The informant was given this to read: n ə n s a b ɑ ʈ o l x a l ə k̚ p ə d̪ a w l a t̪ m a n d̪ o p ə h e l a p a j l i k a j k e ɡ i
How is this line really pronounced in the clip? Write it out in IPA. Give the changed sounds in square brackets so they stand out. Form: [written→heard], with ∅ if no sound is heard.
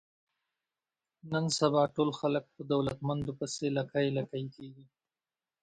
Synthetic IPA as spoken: n ə n s a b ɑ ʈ o l x a l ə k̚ p ə d̪ a w l a t̪ m a n d̪ o p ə [h→s] e l a [p→k] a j l [i→a] k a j k e ɡ i

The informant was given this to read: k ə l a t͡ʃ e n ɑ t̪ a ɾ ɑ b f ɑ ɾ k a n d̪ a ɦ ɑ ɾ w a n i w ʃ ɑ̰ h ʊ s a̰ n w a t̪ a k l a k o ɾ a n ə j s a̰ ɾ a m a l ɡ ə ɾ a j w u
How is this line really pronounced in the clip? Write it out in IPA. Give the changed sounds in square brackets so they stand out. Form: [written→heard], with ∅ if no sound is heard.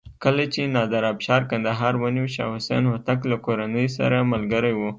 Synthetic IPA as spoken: k ə l a t͡ʃ e n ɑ [t̪→d̪] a ɾ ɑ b [f→ʃ] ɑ ɾ k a n d̪ a ɦ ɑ ɾ w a n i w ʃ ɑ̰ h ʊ s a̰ n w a t̪ a k l a k o ɾ a n ə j s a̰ ɾ a m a l ɡ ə ɾ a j w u

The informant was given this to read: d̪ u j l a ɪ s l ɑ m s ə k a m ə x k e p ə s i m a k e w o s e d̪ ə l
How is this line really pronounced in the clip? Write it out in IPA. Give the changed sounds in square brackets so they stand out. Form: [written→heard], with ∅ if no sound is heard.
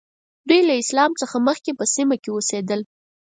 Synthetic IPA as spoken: d̪ u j l a ɪ s l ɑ m [s→t͡s] ə [k→x] a m ə x k e p ə s i m a k e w o s e d̪ ə l

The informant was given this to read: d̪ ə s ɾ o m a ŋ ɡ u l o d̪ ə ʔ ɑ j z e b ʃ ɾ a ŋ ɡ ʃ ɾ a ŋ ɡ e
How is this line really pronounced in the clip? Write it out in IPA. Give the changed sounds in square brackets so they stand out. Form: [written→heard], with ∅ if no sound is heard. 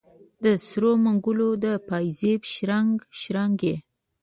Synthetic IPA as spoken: d̪ ə s ɾ o m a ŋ ɡ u l o d̪ ə [ʔ→p] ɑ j z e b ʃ ɾ a ŋ ɡ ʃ ɾ a ŋ ɡ e

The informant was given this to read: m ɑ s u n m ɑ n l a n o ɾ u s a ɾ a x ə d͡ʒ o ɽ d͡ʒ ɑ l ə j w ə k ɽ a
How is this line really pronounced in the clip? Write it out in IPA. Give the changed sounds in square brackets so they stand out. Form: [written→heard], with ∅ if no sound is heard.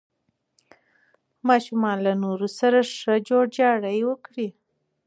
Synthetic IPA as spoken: m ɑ [s→ʃ] u [n→∅] m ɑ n l a n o ɾ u s a ɾ a [x→ʂ] ə d͡ʒ o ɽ d͡ʒ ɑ [l→ɽ] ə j w ə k ɽ [a→i]

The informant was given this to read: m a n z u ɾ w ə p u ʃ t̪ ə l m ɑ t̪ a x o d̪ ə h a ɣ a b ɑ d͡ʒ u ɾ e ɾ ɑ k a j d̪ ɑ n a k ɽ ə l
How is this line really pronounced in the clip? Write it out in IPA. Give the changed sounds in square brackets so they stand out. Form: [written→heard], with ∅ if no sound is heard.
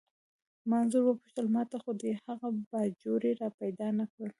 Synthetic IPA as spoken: m a n z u ɾ w ə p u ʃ t̪ ə l m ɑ t̪ a x o d̪ ə h a ɣ a b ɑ d͡ʒ [u→o] ɾ e ɾ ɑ [k→p] a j d̪ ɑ n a k ɽ ə l

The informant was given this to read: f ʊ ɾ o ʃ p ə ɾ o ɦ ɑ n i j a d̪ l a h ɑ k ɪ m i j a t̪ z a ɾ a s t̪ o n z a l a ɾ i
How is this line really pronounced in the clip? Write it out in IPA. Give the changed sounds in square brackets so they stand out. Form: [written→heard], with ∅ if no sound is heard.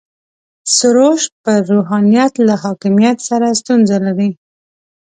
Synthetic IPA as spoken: [f→s] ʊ ɾ o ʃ p ə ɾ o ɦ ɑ n i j a [d̪→t̪] l a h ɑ k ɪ m i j a t̪ [z→s] a ɾ a s t̪ [o→u] n z a l a ɾ i

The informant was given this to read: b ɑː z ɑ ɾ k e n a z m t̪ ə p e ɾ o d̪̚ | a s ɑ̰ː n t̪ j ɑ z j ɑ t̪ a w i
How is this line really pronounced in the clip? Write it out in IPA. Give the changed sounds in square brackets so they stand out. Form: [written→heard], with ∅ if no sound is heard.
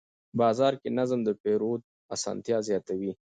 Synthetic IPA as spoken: b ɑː z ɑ ɾ k e n a z m [t̪→d̪] ə p e ɾ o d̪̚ | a s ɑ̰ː n t̪ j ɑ z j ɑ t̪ a w i

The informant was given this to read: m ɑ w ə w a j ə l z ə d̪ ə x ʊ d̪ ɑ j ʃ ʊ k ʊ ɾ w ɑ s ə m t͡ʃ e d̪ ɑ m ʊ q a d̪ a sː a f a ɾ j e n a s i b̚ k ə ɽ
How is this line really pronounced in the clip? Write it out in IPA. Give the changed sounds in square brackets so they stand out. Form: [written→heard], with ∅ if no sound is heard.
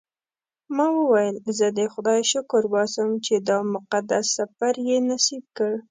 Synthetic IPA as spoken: m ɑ w ə w a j ə l z ə d̪ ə x ʊ d̪ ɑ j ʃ ʊ k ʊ ɾ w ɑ s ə m t͡ʃ e d̪ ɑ m ʊ q a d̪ a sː a f a ɾ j e n a s i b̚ k ə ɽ

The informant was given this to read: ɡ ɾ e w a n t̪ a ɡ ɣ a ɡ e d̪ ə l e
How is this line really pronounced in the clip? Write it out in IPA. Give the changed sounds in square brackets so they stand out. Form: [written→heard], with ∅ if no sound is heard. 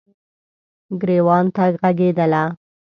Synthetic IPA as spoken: ɡ ɾ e w [a→ɑ] n t̪ a ɡ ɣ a ɡ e d̪ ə l [e→a]

